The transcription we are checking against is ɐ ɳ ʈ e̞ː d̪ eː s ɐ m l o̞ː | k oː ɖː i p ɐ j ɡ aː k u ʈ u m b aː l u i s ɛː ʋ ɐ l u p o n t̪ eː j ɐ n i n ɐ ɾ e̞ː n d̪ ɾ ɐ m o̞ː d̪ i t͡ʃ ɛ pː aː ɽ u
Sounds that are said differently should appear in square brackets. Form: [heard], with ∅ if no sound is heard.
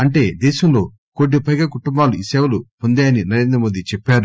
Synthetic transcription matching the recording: ɐ ɳ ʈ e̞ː d̪ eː [ʃ] ɐ m l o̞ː | k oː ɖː i p ɐ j ɡ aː k u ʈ u m b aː l u i s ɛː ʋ ɐ l u p o n [d̪] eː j ɐ n i n ɐ ɾ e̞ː n d̪ ɾ ɐ m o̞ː d̪ i t͡ʃ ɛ pː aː [ɾ] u